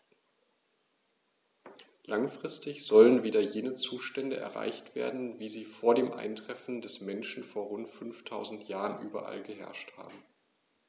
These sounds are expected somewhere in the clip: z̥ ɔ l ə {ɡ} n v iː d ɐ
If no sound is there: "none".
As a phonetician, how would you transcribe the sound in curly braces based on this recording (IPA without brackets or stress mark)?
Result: none